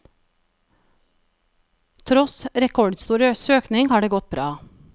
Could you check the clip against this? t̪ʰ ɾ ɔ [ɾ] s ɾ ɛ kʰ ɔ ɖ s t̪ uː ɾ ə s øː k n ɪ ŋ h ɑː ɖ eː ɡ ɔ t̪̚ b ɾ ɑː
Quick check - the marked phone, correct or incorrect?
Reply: incorrect